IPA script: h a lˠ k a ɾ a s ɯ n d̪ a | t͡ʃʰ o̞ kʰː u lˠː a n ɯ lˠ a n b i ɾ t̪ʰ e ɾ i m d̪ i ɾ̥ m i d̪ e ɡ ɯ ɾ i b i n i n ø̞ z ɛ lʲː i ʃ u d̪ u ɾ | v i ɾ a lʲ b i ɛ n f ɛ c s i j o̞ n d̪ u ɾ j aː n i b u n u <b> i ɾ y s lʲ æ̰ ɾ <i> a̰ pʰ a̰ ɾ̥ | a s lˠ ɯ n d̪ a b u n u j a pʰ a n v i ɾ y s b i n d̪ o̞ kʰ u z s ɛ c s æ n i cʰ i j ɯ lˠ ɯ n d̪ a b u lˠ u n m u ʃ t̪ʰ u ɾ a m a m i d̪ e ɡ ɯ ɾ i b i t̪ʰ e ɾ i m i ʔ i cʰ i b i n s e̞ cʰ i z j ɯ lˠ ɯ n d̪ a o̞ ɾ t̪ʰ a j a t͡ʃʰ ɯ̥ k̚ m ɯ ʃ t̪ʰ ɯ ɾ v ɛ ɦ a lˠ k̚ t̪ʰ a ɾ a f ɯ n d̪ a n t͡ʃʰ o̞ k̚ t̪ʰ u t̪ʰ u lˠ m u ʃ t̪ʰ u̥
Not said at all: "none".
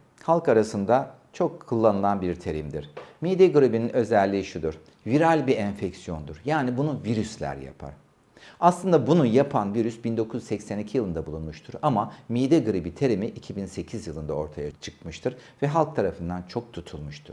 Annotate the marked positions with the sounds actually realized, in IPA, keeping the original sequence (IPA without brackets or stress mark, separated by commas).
v, j